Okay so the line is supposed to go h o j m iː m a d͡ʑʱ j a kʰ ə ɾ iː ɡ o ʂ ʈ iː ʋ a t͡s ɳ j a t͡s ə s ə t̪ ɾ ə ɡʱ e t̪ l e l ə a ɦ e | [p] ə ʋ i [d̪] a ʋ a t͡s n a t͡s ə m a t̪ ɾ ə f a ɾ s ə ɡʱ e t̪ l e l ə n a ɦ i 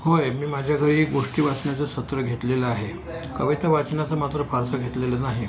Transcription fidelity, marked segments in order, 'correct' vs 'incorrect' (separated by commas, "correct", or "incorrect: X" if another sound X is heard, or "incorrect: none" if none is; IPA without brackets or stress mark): incorrect: k, incorrect: t̪